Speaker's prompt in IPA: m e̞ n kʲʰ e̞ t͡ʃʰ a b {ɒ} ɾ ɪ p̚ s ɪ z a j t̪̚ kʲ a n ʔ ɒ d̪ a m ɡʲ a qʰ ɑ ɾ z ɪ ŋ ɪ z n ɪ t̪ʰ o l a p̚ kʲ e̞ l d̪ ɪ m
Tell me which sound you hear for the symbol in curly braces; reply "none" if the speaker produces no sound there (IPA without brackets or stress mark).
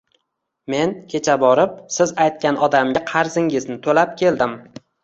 ɒ